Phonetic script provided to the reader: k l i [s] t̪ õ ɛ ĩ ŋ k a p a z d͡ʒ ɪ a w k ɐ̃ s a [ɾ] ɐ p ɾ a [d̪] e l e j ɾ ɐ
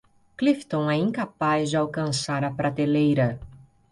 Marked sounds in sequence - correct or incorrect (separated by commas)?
incorrect, correct, incorrect